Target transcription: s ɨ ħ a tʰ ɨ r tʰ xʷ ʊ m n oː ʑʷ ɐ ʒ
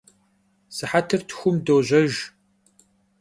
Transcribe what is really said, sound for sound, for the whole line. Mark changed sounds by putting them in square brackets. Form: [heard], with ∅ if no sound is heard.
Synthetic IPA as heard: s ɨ ħ a tʰ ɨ r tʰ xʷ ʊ m [d] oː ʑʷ ɐ ʒ